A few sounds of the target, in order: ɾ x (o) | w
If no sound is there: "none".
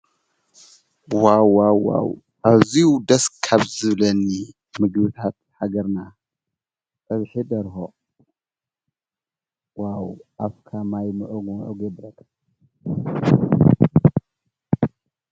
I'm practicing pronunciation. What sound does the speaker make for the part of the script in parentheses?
o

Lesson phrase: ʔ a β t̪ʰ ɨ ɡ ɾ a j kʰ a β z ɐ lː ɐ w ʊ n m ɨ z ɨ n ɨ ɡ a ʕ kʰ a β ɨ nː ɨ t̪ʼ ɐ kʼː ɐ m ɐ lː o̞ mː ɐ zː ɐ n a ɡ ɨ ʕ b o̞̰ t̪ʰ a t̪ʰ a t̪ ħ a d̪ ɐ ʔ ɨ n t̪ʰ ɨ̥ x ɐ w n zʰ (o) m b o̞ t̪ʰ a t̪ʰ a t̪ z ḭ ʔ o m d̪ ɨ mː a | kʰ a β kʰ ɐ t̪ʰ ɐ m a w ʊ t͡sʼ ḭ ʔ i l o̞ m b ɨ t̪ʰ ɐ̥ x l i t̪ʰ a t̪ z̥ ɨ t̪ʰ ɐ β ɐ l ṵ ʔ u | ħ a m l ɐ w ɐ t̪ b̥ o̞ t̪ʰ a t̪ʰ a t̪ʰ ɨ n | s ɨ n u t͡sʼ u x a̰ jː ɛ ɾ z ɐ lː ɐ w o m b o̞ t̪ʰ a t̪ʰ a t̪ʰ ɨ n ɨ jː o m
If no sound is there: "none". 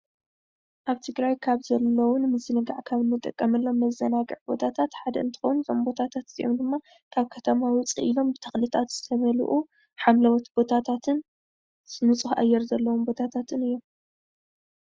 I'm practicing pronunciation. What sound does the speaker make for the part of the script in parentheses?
o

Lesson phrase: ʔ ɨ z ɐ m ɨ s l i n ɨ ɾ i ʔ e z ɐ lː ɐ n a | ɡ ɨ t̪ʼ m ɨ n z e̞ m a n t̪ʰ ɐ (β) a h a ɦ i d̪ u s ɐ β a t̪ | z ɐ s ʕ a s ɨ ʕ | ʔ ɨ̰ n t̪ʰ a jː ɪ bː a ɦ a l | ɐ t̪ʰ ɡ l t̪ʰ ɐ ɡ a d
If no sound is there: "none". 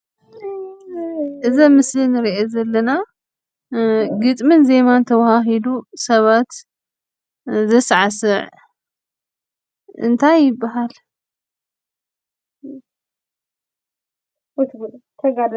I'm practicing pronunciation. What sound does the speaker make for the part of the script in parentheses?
w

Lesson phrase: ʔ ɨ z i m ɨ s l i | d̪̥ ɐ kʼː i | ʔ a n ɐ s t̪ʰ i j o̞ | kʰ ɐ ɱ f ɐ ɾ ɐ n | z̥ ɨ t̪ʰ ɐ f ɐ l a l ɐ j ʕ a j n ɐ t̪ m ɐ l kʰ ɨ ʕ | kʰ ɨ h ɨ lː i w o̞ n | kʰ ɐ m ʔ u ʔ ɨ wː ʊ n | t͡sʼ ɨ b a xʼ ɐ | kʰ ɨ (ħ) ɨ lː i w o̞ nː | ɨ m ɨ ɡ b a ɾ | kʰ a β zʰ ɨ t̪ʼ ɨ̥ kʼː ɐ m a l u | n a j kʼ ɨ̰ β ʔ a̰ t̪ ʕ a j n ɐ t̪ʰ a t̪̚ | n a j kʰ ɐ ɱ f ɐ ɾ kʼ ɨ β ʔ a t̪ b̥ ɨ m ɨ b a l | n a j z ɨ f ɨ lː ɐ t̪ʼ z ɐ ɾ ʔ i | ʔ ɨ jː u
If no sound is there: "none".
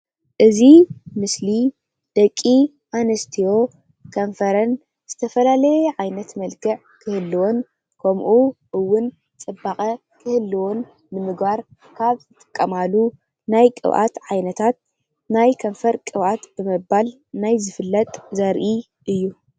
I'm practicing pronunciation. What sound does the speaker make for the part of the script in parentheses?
h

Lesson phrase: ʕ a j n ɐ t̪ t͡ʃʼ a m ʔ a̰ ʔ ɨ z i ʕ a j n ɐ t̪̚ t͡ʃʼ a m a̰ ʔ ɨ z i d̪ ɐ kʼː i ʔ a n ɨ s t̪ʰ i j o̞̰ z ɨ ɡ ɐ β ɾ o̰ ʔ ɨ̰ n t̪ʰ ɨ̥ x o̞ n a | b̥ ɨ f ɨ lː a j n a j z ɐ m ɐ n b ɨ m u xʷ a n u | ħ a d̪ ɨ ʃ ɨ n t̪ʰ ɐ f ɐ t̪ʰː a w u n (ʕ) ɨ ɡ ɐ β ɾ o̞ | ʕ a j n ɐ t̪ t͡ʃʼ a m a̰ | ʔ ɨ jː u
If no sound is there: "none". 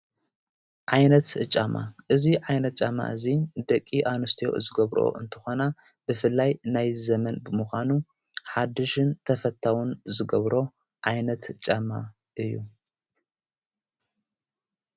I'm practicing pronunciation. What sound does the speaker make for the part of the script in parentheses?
z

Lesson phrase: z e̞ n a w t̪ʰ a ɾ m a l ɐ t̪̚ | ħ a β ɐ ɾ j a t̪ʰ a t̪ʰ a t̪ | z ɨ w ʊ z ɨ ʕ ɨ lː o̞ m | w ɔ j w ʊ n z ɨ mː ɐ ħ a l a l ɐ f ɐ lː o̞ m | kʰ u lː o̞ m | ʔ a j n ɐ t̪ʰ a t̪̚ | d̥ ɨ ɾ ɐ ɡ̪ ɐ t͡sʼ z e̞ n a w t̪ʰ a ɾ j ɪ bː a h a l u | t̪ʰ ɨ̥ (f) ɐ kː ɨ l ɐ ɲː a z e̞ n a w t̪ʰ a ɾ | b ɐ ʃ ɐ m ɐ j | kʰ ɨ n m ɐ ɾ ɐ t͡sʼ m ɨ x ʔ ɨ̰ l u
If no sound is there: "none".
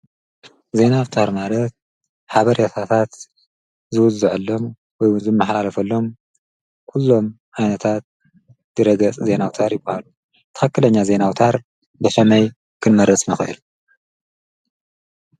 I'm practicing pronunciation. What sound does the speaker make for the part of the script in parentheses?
x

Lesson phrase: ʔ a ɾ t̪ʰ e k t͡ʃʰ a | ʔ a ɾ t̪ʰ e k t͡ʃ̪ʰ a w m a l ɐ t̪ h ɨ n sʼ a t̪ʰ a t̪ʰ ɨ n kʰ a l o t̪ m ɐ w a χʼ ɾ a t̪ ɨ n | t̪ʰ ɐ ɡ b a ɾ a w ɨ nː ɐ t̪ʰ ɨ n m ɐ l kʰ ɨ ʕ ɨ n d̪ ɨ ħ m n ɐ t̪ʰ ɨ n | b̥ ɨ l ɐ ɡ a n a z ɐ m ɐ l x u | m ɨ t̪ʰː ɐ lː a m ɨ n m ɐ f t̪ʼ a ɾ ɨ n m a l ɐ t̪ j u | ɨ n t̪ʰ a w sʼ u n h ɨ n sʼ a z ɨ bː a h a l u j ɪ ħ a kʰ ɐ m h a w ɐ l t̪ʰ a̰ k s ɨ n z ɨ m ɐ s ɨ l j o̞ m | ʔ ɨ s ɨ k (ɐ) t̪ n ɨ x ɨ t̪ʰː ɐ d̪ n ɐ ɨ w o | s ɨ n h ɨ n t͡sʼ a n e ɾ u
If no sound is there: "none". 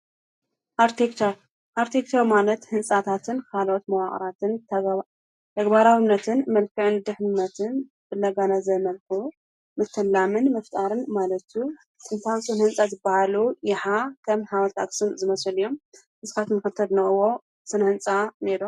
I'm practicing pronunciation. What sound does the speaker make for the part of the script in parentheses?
a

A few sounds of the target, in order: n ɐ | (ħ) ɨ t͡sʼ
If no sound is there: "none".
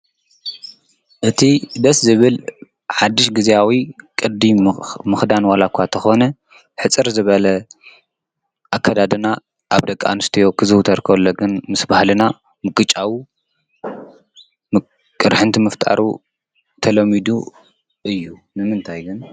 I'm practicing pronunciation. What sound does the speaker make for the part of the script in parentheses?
ħ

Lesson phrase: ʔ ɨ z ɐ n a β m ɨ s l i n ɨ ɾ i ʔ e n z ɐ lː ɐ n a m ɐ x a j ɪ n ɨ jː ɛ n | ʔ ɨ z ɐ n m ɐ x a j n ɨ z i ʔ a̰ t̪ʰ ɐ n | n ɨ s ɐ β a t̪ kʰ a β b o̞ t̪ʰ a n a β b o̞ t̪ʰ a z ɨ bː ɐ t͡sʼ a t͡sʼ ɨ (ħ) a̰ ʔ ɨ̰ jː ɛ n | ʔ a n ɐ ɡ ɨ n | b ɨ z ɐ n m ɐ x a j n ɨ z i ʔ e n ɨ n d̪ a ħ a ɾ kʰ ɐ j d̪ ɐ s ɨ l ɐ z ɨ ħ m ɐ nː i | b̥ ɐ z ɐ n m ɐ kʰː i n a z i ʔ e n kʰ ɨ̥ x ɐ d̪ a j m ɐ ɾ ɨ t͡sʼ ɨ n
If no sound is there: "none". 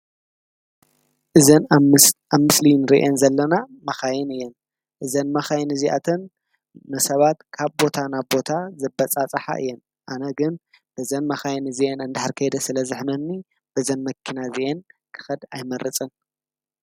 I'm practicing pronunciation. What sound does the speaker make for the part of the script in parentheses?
ħ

